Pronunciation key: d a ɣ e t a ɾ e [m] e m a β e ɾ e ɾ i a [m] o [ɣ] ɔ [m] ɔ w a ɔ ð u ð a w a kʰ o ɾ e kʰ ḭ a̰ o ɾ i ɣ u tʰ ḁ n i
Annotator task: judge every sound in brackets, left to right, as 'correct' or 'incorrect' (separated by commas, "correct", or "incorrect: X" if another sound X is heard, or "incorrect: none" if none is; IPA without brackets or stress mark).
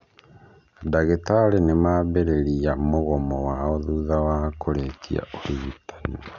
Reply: incorrect: n, correct, correct, correct